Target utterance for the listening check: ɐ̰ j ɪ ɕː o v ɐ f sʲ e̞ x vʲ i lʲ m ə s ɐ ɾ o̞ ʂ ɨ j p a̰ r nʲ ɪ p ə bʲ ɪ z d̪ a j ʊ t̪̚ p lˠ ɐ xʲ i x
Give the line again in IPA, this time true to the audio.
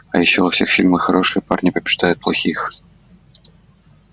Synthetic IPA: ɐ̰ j ɪ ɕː o v ɐ f sʲ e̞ x fʲ i lʲ m ə x ɐ ɾ o̞ ʂ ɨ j p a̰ r nʲ ɪ p ə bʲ ɪ ʐ d̪ a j ʊ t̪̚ p lˠ ɐ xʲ i x